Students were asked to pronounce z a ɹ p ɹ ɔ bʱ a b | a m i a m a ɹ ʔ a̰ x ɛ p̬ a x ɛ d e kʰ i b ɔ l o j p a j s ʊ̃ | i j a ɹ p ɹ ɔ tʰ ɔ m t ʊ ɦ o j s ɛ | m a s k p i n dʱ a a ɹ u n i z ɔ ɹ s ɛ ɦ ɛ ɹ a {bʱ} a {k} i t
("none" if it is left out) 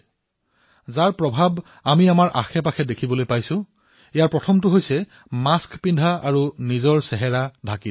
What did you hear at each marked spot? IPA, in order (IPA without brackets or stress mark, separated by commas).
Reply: dʱ, k